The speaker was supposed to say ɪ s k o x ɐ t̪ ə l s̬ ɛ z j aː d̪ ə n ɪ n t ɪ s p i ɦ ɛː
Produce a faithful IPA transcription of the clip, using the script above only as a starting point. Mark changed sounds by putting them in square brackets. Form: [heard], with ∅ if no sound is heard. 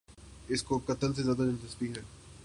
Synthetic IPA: ɪ s k o [k] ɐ t̪ ə l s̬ [e] z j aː d̪ [a] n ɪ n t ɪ s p i ɦ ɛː